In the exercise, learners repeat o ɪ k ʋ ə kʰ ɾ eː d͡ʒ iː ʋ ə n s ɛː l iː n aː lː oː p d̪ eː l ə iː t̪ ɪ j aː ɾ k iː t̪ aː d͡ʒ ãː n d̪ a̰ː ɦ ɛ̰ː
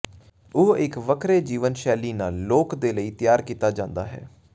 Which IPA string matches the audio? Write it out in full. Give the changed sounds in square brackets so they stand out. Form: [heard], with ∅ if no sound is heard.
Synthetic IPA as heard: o ɪ k ʋ ə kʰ ɾ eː d͡ʒ iː ʋ ə n [ʃ] ɛː l iː n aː lː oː [k] d̪ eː l ə iː t̪ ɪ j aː ɾ k iː t̪ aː d͡ʒ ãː n d̪ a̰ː ɦ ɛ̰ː